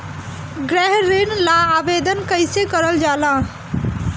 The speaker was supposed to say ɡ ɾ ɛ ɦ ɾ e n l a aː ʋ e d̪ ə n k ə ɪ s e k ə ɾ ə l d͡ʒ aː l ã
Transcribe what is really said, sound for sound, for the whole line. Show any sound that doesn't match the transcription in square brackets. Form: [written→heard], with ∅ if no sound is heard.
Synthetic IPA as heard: ɡ ɾ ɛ ɦ ɾ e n l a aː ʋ e d̪ ə n k ə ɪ s e k ə ɾ ə l d͡ʒ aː l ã